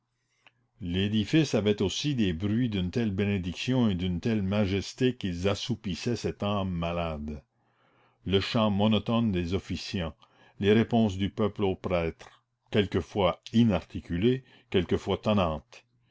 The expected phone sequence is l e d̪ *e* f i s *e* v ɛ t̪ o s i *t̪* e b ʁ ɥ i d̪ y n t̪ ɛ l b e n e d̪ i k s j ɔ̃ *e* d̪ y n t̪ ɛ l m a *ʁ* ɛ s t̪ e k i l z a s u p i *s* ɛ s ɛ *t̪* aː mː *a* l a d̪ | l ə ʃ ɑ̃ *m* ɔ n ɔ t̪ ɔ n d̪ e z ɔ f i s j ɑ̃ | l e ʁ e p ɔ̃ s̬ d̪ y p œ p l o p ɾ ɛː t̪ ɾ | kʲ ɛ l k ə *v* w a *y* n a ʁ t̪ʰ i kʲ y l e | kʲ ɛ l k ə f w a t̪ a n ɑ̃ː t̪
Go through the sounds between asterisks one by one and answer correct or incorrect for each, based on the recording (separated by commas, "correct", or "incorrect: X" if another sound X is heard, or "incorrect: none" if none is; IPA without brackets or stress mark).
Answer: incorrect: i, incorrect: a, incorrect: d̪, correct, incorrect: ʒ, correct, correct, correct, correct, incorrect: f, incorrect: i